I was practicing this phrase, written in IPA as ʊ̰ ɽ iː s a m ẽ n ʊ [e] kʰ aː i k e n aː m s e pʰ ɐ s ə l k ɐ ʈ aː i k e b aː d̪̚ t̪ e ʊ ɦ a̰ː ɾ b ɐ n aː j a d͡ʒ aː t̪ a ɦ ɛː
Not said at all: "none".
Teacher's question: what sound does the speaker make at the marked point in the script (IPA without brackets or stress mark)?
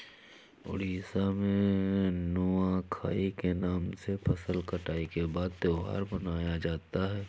a